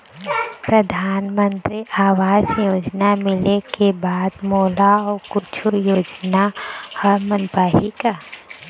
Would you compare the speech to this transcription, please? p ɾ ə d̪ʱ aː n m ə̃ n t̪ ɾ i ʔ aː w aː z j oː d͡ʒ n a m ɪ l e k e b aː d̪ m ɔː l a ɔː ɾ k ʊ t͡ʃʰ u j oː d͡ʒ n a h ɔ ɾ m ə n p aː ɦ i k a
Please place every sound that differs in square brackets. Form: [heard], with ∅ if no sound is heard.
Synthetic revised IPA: p ɾ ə d̪ʱ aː n m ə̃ n t̪ ɾ i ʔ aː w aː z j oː d͡ʒ n a m ɪ l e k e b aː d̪ m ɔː l a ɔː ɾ k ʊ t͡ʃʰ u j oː d͡ʒ n a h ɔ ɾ m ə n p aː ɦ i k a